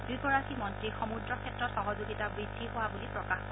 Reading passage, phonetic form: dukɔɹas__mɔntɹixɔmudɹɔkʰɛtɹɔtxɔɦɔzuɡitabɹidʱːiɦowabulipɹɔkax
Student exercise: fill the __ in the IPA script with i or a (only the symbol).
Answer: i